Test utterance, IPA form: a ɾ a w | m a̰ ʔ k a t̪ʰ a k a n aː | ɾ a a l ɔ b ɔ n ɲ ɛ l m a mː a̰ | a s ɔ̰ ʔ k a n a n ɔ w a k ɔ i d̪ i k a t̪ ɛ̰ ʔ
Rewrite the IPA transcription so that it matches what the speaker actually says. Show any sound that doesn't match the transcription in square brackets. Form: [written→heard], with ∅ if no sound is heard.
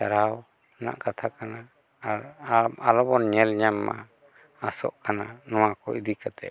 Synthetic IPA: a ɾ a w | [m→n] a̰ ʔ k a t̪ʰ a k a n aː | ɾ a a l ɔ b ɔ n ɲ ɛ l [m→ɲ] a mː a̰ | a s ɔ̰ ʔ k a n a n ɔ w a k ɔ i d̪ i k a t̪ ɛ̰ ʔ